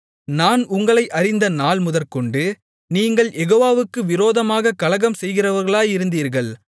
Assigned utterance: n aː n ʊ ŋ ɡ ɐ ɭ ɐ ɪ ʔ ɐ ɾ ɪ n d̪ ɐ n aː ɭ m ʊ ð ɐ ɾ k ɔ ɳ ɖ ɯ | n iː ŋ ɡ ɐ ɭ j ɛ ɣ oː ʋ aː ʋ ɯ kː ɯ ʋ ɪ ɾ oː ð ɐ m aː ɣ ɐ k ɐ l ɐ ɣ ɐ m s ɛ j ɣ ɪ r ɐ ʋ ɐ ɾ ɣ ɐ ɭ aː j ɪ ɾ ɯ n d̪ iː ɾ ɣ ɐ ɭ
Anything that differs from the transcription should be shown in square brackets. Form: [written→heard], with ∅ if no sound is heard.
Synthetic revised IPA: n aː n ʊ ŋ ɡ ɐ ɭ ɐ ɪ ʔ ɐ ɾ ɪ n d̪ ɐ n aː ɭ m ʊ ð ɐ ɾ k ɔ ɳ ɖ ɯ | n iː ŋ ɡ ɐ ɭ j ɛ ɣ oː ʋ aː ʋ ɯ kː ɯ ʋ ɪ ɾ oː ð ɐ m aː ɣ ɐ k ɐ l ɐ ɣ ɐ m s ɛ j ɣ ɪ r ɐ ʋ ɐ ɾ ɣ ɐ ɭ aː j ɪ ɾ ɯ n d̪ iː ɾ ɣ ɐ ɭ